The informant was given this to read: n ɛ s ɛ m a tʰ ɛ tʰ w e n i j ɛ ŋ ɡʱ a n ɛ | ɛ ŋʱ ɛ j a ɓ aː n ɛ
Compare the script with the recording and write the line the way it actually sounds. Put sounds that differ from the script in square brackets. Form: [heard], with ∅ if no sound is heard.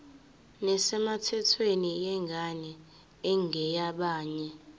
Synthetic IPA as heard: n ɛ s ɛ m a tʰ ɛ tʰ w e n i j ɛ ŋ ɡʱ a n ɛ | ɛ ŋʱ ɛ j a ɓ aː [ɲ] ɛ